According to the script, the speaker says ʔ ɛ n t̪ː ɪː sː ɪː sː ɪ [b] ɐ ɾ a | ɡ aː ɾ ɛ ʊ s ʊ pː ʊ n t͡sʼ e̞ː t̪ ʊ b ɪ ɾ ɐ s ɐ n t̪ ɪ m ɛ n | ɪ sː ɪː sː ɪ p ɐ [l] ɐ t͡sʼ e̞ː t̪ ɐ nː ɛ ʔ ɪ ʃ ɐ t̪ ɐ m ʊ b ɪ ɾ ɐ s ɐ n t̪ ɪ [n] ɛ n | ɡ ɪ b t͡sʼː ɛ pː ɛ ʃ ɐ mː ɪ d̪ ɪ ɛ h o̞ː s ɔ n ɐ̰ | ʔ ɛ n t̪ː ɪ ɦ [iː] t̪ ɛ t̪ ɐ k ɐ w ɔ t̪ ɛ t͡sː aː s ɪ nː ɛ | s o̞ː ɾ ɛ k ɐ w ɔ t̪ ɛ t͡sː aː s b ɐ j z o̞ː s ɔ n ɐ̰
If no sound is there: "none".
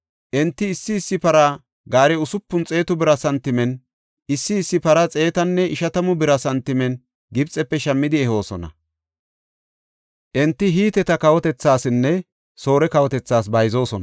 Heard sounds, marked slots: p, ɾ, m, iː

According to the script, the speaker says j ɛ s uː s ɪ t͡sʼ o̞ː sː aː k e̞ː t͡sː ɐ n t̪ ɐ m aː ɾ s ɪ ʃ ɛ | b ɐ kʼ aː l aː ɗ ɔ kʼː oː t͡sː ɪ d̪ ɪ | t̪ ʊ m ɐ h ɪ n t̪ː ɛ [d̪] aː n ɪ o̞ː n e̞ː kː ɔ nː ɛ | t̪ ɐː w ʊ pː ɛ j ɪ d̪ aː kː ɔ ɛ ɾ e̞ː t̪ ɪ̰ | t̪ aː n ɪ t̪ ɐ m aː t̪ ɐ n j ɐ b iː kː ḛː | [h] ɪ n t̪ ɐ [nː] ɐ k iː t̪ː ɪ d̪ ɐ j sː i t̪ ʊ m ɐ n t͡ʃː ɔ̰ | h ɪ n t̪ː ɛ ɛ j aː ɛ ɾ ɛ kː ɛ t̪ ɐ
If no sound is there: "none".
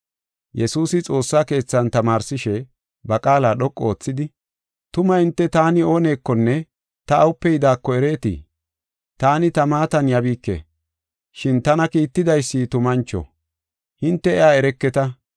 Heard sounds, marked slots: t̪, ʃ, n

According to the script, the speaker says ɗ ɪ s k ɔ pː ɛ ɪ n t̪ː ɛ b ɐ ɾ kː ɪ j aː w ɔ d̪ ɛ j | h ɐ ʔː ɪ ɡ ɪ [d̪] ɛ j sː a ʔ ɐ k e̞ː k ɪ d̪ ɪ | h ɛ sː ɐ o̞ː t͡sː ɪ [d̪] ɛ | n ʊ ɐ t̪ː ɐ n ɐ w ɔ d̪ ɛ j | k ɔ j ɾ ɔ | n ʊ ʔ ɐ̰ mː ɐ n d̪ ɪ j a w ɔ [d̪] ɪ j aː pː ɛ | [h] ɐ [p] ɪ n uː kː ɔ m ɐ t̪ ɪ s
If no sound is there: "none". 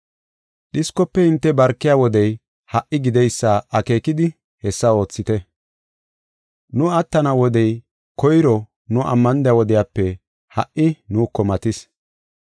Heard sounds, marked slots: d̪, t̪, d̪, h, ʔ

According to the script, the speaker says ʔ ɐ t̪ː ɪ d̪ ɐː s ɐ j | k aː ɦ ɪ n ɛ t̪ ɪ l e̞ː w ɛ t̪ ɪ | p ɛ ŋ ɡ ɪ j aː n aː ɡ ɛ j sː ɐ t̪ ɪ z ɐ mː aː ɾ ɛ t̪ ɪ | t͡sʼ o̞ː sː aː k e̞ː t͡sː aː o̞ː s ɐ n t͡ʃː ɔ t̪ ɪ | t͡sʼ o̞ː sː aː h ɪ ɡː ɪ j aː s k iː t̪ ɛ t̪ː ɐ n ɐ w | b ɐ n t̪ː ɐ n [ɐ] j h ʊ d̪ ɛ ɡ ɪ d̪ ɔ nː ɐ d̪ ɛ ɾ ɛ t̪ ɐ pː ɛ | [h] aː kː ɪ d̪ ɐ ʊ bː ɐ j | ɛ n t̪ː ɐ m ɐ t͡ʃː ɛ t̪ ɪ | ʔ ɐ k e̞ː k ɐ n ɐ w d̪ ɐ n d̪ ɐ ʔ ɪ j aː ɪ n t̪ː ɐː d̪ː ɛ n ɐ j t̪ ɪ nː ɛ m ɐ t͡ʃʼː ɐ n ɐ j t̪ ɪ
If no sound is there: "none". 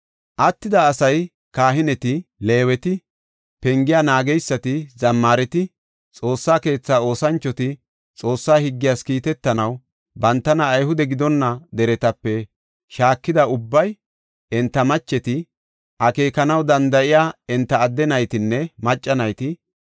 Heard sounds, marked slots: ɐː, ʃ

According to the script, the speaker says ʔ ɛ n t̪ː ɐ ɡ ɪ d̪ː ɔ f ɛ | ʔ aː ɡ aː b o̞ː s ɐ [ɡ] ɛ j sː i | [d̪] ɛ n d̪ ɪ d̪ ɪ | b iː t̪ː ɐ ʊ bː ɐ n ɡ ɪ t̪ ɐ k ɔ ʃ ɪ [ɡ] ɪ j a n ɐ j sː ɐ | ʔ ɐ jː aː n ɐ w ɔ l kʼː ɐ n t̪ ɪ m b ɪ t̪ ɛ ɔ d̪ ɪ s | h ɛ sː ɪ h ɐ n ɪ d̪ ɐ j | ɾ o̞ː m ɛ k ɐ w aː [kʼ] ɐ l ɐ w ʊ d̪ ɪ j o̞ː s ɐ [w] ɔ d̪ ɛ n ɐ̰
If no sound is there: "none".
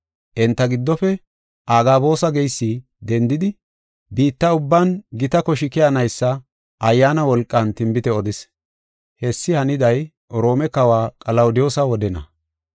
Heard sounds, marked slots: ɡ, d̪, k, kʼ, w

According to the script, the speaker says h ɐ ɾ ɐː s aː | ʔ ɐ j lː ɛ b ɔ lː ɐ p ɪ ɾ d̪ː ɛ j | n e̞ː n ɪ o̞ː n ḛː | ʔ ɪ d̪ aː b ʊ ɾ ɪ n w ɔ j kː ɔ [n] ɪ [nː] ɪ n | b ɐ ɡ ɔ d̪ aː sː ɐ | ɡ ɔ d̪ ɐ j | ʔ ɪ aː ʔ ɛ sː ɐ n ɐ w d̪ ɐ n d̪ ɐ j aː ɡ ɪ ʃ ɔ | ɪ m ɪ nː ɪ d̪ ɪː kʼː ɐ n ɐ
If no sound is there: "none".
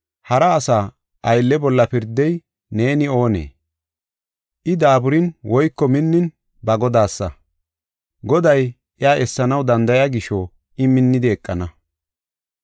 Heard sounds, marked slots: m, nː

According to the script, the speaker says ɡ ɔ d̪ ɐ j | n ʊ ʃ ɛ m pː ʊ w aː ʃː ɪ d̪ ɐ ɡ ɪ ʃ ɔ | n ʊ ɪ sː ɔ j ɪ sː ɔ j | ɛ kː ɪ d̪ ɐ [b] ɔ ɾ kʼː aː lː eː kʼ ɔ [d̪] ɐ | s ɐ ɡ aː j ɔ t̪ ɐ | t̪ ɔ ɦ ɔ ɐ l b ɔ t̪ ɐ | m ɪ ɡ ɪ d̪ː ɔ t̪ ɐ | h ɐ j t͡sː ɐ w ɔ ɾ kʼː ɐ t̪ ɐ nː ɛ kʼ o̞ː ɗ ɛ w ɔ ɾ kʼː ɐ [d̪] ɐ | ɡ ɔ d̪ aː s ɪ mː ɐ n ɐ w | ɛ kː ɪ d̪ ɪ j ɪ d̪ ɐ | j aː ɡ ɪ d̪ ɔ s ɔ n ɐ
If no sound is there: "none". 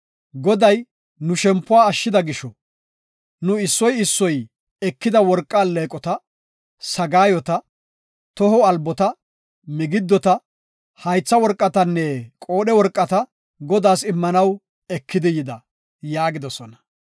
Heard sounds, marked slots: w, t̪, t̪

